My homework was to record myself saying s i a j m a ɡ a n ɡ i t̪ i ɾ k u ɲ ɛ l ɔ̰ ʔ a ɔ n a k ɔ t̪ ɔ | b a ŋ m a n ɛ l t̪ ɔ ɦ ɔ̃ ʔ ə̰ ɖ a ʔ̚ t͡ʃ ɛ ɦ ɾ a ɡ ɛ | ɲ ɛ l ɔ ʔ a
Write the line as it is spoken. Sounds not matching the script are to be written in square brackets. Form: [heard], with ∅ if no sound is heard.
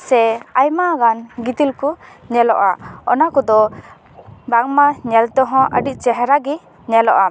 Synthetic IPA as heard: s [ɛ] a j m a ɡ a n ɡ i t̪ i [l] k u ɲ ɛ l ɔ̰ ʔ a ɔ n a k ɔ [d̪] ɔ | b a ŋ m a [ɲ] ɛ l t̪ ɔ ɦ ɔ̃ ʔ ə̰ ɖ [i] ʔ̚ t͡ʃ ɛ ɦ ɾ a ɡ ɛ | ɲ ɛ l ɔ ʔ a